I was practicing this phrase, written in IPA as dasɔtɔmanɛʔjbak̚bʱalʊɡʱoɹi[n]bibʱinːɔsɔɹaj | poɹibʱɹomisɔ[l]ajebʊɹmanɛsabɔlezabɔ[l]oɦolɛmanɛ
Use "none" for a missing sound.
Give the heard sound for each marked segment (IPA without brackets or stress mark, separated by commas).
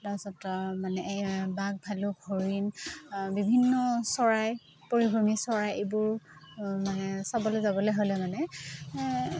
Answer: n, ɹ, l